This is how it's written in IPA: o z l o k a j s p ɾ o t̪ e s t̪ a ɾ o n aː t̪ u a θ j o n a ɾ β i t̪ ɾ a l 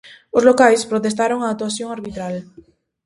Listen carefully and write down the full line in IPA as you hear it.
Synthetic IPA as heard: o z l o k a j s p ɾ o t̪ e s t̪ a ɾ o ŋ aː t̪ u a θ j o ŋ a ɾ β i t̪ ɾ a l